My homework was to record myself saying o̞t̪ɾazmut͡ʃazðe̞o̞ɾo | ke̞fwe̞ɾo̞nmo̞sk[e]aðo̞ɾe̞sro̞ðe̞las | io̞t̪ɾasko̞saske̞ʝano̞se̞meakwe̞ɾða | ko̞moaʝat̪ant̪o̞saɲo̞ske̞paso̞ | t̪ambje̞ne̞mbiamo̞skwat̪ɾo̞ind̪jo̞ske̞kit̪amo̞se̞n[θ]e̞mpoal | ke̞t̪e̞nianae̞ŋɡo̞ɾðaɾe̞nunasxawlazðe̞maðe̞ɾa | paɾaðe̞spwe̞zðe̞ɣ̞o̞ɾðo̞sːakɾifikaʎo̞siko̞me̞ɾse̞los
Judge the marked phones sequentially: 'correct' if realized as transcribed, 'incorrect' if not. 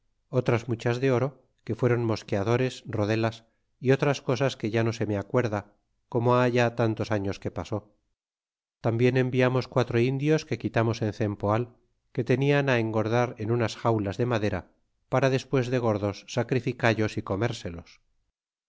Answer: correct, correct

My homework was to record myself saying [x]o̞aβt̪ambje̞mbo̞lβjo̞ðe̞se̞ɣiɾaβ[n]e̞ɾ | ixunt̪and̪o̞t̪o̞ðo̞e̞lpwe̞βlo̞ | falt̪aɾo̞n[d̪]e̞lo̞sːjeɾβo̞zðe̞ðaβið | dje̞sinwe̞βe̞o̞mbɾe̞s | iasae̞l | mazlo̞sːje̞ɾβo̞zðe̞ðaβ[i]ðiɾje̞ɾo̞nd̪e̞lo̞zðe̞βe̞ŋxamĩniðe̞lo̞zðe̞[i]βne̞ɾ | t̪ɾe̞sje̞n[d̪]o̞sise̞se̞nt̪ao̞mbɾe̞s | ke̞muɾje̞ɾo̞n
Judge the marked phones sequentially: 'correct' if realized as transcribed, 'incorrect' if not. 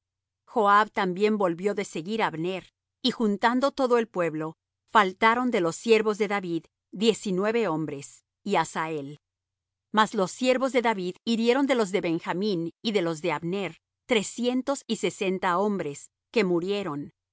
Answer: correct, correct, correct, correct, incorrect: a, incorrect: t̪

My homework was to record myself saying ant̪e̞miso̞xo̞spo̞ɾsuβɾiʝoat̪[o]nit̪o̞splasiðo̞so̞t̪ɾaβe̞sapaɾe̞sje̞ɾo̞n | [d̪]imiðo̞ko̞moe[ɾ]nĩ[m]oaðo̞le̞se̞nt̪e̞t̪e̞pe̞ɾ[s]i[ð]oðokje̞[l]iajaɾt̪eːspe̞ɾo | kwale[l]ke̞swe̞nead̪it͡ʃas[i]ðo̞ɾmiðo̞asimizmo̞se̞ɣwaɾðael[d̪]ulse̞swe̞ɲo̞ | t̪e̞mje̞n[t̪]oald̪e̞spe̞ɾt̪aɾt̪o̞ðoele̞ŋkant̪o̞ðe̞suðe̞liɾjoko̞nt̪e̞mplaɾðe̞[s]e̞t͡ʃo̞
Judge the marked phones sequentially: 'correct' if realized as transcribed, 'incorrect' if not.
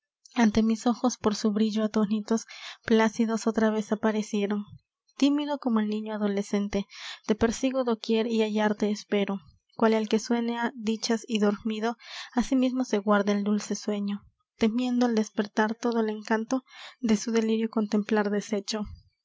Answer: correct, incorrect: t̪, incorrect: l, incorrect: ɲ, correct, incorrect: ɣ, incorrect: ɾ, correct, correct, correct, incorrect: d̪, correct

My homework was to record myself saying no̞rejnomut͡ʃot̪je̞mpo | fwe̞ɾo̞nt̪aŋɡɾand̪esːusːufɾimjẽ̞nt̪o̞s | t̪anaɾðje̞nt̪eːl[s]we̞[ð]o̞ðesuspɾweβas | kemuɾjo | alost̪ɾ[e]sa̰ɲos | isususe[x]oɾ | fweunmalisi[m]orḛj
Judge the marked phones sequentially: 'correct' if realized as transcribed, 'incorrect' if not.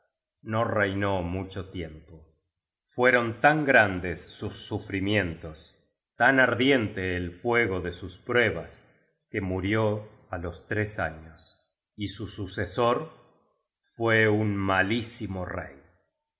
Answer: incorrect: f, incorrect: ɣ, correct, incorrect: s, correct

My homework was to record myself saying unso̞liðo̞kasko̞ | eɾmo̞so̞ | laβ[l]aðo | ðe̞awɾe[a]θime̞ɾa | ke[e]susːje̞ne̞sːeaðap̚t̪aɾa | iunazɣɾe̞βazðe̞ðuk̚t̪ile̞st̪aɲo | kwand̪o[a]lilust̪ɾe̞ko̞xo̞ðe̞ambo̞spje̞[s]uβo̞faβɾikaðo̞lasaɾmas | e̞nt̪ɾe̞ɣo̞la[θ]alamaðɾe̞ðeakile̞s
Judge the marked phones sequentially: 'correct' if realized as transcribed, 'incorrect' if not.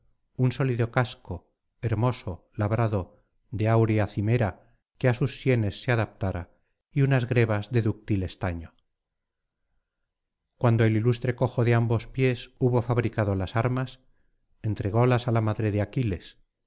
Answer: incorrect: ɾ, correct, incorrect: a, incorrect: e, correct, incorrect: s

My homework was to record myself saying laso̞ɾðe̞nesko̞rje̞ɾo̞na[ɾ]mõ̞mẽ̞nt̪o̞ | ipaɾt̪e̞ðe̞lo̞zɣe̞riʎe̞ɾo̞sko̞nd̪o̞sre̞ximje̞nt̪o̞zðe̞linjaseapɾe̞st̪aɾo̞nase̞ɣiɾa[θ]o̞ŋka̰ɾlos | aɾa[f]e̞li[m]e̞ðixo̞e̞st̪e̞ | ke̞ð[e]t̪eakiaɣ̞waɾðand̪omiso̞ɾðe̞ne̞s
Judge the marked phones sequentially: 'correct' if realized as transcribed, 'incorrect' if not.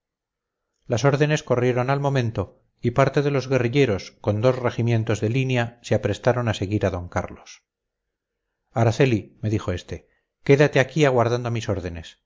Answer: incorrect: l, incorrect: ð, incorrect: θ, correct, incorrect: a

